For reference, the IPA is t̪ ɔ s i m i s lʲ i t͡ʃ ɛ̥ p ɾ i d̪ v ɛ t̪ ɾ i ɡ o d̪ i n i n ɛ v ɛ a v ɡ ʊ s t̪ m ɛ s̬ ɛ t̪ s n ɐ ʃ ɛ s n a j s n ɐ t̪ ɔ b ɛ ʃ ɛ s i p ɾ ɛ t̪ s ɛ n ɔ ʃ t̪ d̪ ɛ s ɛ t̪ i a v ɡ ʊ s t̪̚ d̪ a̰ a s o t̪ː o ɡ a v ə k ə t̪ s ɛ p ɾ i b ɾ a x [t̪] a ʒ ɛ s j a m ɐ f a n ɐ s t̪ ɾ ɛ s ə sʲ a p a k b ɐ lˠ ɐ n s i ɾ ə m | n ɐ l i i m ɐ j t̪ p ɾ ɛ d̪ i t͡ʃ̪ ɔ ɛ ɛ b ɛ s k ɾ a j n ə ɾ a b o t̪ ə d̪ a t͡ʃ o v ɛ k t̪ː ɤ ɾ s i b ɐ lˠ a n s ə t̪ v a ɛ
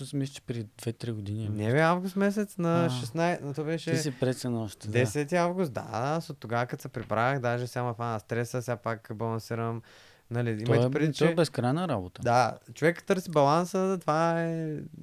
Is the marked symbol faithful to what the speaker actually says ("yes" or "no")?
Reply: no